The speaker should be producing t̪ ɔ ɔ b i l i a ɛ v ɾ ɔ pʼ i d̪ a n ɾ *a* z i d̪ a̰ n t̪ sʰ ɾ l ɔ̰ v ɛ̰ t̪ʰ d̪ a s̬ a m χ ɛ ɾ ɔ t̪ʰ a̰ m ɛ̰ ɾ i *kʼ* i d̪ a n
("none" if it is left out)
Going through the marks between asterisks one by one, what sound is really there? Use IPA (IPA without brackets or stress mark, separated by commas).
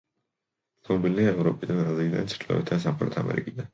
a, kʼ